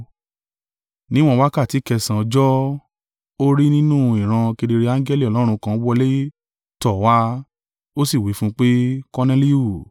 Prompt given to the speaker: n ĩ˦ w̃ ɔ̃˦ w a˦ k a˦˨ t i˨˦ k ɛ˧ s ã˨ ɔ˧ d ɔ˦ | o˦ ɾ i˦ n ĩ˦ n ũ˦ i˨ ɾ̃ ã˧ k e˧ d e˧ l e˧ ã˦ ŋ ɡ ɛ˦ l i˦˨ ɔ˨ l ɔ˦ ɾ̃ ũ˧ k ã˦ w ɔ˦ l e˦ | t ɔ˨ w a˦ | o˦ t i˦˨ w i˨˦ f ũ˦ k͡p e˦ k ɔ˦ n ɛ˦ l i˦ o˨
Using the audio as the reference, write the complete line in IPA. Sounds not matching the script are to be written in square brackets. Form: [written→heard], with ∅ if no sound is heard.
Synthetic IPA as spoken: n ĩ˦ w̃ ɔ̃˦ w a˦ k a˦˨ t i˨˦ k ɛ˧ s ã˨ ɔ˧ [d→d͡ʒ] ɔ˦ | o˦ ɾ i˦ n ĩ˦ n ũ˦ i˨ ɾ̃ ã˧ k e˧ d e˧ [l→ɾ] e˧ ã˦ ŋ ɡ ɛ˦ l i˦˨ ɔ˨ l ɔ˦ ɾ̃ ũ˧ k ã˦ w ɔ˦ l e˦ | t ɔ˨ w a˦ | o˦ [t→s] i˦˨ w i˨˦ f ũ˦ k͡p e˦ k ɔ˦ n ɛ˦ l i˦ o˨